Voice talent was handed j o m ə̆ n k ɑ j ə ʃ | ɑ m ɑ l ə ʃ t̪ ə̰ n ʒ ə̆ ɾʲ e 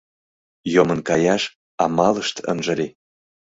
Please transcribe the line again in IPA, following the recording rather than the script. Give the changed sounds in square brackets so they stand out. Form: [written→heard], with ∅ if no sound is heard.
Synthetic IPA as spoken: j o m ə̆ n k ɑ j [ə→ɑ] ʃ | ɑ m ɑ l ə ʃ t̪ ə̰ n ʒ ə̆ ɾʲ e

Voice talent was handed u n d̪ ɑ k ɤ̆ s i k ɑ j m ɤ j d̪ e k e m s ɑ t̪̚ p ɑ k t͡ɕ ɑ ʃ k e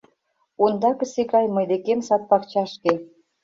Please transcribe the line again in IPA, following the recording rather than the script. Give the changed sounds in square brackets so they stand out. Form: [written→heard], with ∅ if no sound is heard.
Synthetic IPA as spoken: u n d̪ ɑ k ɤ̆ s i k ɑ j m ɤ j d̪ e k e m s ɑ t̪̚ p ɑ k t͡ɕ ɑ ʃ k e

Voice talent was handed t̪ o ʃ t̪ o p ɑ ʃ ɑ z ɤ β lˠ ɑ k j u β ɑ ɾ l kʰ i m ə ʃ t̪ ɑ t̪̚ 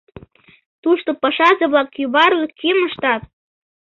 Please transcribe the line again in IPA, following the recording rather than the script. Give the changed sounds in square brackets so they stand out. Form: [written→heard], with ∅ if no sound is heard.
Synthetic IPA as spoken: t̪ [o→u] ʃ t̪ o p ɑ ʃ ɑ z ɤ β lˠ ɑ k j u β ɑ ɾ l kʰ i m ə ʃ t̪ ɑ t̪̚

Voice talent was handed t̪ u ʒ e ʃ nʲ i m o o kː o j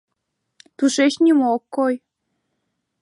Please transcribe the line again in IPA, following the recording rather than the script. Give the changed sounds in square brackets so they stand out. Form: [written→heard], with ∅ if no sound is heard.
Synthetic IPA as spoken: t̪ u [ʒ→ʃ] e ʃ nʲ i m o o kː o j

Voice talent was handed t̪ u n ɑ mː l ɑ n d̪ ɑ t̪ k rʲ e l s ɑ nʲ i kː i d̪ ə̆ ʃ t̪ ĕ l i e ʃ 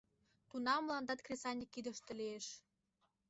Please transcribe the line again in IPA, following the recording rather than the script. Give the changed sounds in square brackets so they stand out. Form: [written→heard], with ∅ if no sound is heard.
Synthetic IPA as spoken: t̪ u n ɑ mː l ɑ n d̪ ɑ t̪ k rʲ e [l→∅] s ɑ nʲ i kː i d̪ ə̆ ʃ t̪ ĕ l i e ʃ

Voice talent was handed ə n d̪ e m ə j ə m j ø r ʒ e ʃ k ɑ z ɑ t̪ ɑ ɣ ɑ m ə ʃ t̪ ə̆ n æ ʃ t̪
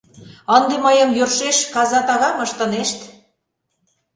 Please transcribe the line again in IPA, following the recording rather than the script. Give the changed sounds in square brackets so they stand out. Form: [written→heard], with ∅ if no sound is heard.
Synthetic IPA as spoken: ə n d̪ e m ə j ə m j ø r [ʒ→ʃ] e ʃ k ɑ z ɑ t̪ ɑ ɣ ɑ m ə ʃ t̪ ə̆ n [æ→e] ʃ t̪

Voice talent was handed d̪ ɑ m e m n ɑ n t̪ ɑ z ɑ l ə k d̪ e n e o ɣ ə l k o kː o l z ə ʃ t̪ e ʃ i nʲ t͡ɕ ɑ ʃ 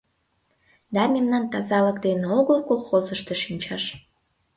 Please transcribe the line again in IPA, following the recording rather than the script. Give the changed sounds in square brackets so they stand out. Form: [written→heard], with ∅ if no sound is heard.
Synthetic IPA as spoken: d̪ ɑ m e m n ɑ n t̪ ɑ z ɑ l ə k d̪ e n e o ɣ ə l k o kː o l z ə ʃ t̪ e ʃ i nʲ t͡ɕ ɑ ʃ

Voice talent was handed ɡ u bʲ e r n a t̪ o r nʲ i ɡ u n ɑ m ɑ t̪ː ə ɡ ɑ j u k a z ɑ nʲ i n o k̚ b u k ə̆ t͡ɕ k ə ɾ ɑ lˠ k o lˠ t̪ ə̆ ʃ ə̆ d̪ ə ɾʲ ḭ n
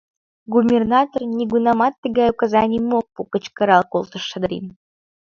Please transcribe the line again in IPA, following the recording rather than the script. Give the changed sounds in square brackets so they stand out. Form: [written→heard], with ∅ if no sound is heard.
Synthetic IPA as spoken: ɡ u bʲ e r n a t̪ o r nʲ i ɡ u n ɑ m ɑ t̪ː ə ɡ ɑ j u k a z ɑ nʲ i [n→m] o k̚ [b→p] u k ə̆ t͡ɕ k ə ɾ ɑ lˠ k o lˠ t̪ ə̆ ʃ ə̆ d̪ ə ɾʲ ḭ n

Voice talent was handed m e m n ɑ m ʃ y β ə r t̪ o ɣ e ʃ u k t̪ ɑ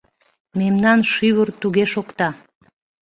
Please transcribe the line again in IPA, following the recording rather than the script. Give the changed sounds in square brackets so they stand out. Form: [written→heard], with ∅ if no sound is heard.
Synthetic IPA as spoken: m e m n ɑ [m→n] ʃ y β ə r t̪ [o→u] ɣ e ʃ [u→o] k t̪ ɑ

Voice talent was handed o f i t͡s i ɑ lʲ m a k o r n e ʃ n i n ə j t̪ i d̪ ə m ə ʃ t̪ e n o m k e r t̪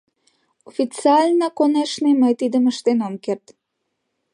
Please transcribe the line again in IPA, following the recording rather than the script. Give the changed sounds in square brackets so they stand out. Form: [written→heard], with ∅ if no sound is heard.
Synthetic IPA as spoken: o f i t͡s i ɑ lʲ [m→n] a k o [r→∅] n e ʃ n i [n→m] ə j t̪ i d̪ ə m ə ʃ t̪ e n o m k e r t̪

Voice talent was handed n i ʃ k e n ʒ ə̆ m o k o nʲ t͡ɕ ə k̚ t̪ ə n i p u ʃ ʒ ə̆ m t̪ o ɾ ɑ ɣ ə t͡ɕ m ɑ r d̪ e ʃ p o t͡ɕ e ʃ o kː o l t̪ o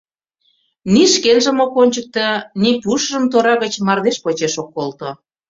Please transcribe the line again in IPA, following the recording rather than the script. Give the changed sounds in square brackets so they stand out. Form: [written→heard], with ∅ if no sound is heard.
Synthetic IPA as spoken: n i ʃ k e n ʒ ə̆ m o k o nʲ t͡ɕ ə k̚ t̪ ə n i p u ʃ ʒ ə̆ m t̪ o ɾ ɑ ɣ ə t͡ɕ m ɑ r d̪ e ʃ p o t͡ɕ e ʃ o kː o l t̪ o

